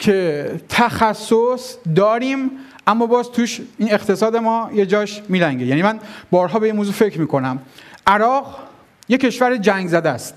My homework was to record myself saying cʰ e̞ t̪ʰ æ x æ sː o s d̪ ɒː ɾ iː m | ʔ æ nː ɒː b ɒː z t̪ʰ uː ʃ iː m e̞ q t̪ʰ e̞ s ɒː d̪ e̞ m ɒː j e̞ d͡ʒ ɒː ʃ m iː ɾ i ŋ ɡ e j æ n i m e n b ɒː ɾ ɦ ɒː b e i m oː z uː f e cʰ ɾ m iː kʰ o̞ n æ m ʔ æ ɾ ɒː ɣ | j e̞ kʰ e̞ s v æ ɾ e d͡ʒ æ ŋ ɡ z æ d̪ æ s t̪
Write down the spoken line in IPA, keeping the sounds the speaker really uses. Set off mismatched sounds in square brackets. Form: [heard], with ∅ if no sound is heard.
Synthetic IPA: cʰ e̞ t̪ʰ æ x æ sː o s d̪ ɒː ɾ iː m | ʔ æ [mː] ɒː b ɒː z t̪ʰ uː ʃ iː [n] e̞ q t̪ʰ e̞ s ɒː d̪ e̞ m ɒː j e̞ d͡ʒ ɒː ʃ m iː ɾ [æ] ŋ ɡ e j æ n i m [æ] n b ɒː ɾ ɦ ɒː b e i m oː z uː f e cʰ ɾ m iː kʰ o̞ n æ m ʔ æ ɾ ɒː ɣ | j e̞ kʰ e̞ [ʃ] v æ ɾ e d͡ʒ æ ŋ ɡ z æ d̪ æ s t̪

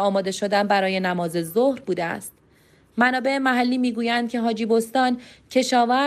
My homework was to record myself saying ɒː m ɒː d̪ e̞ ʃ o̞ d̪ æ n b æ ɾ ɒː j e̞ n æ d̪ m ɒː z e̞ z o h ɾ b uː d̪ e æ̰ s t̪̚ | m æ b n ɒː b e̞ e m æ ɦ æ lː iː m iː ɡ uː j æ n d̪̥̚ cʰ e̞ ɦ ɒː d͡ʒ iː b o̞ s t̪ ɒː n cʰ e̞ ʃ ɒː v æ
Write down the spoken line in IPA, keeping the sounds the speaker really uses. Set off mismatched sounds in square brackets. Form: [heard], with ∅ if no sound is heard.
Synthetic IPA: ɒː m ɒː d̪ e̞ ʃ o̞ d̪ æ n b æ ɾ ɒː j e̞ n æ [∅] m ɒː z e̞ z o h ɾ b uː d̪ e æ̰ s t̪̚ | m æ [∅] n ɒː b e̞ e m æ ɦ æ lː iː m iː ɡ uː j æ n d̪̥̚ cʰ e̞ ɦ ɒː d͡ʒ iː b o̞ s t̪ ɒː n cʰ e̞ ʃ ɒː v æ

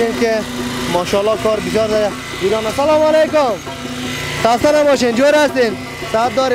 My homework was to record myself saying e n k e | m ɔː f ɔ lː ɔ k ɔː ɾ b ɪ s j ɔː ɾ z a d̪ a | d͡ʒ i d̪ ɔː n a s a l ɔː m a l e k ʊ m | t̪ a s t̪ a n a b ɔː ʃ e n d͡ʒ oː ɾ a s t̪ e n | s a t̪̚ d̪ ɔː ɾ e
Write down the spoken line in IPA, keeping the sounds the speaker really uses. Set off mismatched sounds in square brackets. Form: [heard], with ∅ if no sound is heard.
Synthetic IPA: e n k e | m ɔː [ʃ] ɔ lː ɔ k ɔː ɾ b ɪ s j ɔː ɾ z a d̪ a | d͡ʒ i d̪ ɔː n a s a l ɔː m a l e k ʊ m | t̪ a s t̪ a n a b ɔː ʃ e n d͡ʒ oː ɾ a s t̪ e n | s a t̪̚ d̪ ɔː ɾ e

